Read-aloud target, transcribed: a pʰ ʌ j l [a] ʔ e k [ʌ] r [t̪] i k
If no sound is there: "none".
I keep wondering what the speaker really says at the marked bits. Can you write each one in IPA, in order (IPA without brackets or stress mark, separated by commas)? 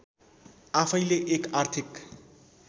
e, a, t̪ʰ